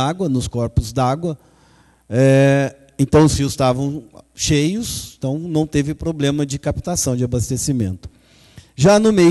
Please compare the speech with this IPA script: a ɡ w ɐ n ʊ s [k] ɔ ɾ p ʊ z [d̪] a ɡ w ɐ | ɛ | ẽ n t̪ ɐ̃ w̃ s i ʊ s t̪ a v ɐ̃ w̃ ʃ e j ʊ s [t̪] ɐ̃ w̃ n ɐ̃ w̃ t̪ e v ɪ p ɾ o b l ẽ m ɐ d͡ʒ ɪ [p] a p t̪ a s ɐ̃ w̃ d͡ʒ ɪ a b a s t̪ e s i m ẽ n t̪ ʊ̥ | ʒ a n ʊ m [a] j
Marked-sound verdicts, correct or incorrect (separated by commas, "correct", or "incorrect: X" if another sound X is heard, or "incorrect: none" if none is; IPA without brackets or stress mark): correct, correct, correct, incorrect: k, incorrect: e